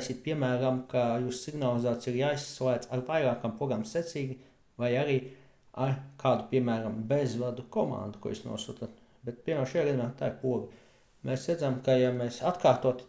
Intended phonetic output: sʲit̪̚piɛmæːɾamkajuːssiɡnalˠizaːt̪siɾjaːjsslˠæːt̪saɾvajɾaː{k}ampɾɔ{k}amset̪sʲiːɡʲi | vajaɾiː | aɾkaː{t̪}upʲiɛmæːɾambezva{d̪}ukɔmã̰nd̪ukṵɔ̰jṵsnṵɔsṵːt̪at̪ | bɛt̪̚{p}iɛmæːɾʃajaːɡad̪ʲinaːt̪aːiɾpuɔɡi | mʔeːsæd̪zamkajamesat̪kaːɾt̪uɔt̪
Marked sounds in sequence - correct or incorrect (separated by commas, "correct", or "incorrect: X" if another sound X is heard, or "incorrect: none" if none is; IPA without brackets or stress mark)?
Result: correct, incorrect: ɡ, incorrect: d̪, correct, correct